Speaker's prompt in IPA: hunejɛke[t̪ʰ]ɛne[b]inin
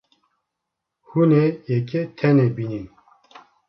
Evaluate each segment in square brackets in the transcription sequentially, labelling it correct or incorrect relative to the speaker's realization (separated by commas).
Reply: correct, correct